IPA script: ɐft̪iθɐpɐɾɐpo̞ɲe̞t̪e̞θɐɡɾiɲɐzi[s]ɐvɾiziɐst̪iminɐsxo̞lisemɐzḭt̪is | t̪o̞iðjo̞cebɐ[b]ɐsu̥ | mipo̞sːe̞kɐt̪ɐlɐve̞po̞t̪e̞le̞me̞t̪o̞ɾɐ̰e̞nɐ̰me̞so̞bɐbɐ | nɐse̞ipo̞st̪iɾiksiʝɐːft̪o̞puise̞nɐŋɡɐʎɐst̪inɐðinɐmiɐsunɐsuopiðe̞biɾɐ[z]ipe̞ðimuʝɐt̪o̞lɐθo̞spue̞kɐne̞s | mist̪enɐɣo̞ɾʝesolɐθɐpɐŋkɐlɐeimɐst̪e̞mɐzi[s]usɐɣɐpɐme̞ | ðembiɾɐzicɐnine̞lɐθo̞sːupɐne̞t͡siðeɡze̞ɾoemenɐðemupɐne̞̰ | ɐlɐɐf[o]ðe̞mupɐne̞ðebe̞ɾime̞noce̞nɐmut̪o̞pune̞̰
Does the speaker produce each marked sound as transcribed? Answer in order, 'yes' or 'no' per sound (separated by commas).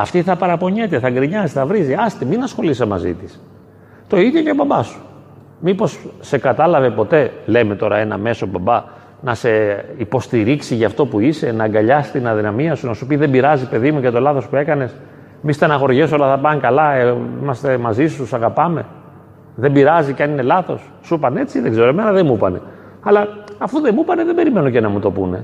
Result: no, yes, yes, yes, no